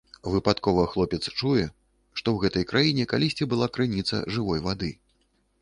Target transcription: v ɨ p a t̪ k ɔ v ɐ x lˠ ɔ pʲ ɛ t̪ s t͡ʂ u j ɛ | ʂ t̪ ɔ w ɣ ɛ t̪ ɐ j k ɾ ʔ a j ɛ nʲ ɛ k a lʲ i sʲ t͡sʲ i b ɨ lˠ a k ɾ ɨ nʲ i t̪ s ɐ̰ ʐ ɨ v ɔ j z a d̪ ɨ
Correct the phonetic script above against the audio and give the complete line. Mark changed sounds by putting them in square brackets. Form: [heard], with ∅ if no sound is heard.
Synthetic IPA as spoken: v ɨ p a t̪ k ɔ v ɐ x lˠ ɔ pʲ ɛ t̪ s t͡ʂ u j ɛ | ʂ t̪ ɔ w ɣ ɛ t̪ ɐ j k ɾ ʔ a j [i] nʲ ɛ k a lʲ i sʲ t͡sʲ i b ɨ lˠ a k ɾ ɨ nʲ i t̪ s ɐ̰ ʐ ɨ v ɔ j [v] a d̪ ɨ